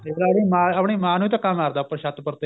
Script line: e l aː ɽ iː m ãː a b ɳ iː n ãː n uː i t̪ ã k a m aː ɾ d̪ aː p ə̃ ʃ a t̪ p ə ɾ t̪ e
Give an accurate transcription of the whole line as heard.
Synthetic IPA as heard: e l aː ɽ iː m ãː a p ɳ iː m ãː n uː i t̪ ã k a m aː ɾ d̪ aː p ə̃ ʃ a t̪ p ə ɾ t̪ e